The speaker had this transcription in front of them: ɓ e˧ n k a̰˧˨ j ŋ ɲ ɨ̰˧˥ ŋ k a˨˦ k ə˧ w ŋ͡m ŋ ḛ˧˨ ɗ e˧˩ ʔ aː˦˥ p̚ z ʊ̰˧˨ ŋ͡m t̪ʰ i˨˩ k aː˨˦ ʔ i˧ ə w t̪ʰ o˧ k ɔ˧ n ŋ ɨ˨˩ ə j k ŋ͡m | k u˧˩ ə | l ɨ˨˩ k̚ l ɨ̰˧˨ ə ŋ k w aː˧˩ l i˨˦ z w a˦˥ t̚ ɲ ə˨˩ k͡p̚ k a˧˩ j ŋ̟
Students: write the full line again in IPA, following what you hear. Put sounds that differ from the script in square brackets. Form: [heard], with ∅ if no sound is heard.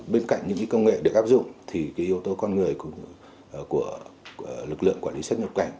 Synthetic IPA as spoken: ɓ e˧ n k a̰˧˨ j ŋ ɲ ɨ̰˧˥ ŋ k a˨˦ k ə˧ w ŋ͡m ŋ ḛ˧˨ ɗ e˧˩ ʔ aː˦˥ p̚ z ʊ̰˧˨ ŋ͡m t̪ʰ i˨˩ k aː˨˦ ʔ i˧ ə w [t̪] o˧ k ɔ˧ n ŋ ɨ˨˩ ə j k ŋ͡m | k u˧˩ ə | l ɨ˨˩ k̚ l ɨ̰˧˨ ə ŋ k w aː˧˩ l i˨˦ [s] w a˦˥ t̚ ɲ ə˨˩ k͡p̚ k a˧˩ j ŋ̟